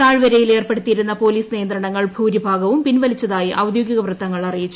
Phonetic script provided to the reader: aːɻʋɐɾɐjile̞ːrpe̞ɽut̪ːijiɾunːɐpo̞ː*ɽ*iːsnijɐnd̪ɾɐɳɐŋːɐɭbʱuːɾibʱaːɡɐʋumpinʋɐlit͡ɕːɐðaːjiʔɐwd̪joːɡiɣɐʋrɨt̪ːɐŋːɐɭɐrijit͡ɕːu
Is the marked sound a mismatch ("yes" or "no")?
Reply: yes